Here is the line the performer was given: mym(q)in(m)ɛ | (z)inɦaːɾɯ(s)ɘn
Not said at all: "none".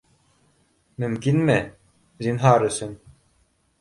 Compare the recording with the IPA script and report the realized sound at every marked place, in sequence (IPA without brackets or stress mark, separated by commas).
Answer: k, m, z, s